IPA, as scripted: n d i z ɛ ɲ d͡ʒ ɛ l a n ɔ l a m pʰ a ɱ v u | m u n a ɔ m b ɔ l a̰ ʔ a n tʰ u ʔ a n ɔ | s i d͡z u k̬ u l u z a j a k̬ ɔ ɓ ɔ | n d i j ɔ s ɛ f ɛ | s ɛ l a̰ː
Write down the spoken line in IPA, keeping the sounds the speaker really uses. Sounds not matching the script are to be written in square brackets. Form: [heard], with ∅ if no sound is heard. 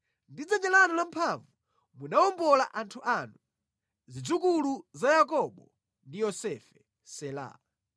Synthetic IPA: n d i [d͡z] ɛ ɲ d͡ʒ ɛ l a n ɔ l a m pʰ a ɱ v u | m u n a ɔ m b ɔ l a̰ ʔ a n tʰ u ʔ a n [u] | [z] i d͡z u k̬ u l u z a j a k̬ ɔ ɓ ɔ | n d i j ɔ s ɛ f ɛ | s ɛ l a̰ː